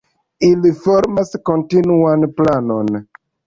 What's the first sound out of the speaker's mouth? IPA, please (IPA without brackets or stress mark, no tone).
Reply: i